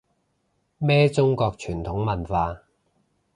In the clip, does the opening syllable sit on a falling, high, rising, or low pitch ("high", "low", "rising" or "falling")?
high